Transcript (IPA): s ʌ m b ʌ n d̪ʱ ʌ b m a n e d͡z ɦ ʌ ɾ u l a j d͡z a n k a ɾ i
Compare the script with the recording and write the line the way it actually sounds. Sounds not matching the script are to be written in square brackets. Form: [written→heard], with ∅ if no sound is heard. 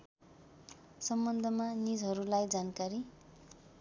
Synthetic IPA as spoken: s ʌ m b ʌ n d̪ʱ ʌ [b→∅] m a n [e→i] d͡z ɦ ʌ ɾ u l a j d͡z a n k a ɾ i